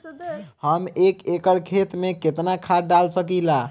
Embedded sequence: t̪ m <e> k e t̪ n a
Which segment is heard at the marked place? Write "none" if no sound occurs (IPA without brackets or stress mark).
e